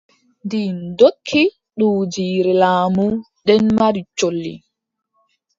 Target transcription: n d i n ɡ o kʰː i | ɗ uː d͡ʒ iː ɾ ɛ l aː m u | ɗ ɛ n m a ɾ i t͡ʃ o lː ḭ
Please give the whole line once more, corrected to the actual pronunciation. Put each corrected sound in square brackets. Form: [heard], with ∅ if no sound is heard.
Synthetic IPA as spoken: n d i n [d] o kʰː i | ɗ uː d͡ʒ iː ɾ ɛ l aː m u | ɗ ɛ n m a ɾ i t͡ʃ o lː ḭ